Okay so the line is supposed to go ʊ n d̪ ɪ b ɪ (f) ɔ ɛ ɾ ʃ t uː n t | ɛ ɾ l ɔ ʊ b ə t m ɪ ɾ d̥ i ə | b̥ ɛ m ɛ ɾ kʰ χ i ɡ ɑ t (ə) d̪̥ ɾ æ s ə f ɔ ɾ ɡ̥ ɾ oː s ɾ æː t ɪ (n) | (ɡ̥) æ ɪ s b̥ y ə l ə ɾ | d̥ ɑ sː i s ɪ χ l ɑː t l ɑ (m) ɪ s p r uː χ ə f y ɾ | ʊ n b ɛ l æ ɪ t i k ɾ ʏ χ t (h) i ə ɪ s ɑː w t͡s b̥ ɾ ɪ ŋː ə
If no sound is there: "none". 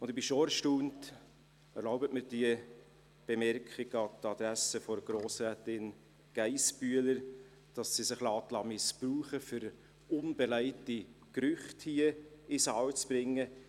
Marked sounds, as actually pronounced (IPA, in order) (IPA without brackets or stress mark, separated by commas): ʃ, ɑ, n, ɡ̥, m, h